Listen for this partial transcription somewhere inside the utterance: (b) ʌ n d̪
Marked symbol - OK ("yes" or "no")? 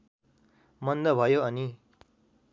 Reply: no